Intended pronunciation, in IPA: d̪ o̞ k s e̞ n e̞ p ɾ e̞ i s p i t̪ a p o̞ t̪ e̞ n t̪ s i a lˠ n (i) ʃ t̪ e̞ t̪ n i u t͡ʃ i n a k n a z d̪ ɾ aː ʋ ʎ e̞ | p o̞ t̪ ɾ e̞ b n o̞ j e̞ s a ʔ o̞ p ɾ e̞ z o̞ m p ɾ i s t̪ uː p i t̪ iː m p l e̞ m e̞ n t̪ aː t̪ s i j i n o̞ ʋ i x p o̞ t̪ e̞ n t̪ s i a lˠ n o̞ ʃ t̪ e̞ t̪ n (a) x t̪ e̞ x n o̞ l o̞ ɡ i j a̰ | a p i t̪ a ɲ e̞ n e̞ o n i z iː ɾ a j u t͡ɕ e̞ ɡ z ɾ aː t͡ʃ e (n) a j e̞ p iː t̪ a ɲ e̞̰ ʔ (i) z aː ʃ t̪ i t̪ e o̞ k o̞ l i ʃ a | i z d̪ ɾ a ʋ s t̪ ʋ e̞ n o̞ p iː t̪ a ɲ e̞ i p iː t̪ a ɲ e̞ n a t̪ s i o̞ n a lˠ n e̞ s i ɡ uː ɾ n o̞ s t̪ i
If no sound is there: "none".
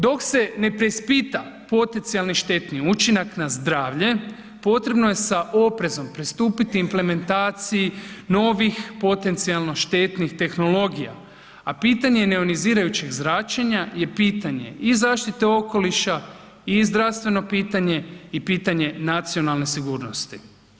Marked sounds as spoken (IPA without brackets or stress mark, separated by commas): i, i, ɲ, i